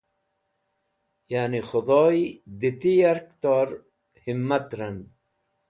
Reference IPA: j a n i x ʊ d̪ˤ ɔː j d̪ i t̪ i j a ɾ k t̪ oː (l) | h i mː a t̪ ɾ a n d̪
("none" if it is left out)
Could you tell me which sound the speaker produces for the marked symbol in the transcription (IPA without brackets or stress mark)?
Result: ɾ